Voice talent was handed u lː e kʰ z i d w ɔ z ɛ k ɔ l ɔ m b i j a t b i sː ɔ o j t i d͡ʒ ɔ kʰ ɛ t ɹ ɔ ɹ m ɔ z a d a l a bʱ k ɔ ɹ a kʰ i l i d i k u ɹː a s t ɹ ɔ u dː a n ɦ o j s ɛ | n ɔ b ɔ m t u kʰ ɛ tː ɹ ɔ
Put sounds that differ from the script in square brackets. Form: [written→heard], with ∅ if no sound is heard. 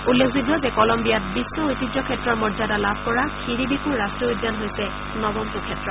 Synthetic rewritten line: u lː e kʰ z i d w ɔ z ɛ k ɔ l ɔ m b i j a t b i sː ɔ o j t i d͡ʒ ɔ kʰ ɛ t ɹ ɔ ɹ m ɔ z a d a l a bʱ k ɔ ɹ a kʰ i [l→ɹ] i [d→b] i k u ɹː a s t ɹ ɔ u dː a n ɦ o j s ɛ | n ɔ b ɔ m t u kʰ ɛ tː ɹ ɔ